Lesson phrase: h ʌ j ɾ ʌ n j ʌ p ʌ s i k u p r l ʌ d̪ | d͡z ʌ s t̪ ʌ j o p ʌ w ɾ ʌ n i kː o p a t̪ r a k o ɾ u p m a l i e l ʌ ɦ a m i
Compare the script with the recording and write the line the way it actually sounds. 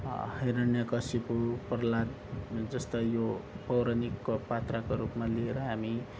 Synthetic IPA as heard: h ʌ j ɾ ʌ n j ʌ k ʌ s i p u p r l a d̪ | d͡z ʌ s t̪ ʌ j o p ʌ w ɾ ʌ n i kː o p a t̪ r a k o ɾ u p m a l i e ɾ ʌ ɦ a m i